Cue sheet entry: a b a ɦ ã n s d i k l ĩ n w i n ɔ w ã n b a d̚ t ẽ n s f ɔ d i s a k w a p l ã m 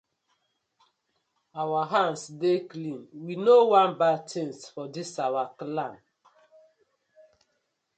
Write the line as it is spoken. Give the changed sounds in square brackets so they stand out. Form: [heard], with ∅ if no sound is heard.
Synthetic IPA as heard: a [w] a ɦ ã n s d [e] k l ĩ n w i n [o] w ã n b a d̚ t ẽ n s f ɔ d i s a [∅] w a [k] l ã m